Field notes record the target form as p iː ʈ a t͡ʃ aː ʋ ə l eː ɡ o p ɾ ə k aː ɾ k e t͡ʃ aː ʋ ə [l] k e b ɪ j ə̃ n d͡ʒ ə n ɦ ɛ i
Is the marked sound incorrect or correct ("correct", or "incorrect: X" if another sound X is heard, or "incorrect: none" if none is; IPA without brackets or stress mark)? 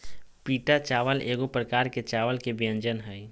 correct